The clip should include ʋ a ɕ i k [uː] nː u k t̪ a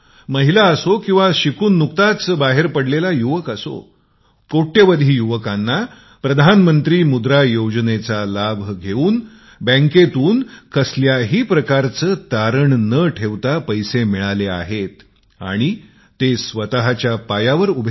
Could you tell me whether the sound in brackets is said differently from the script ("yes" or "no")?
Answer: no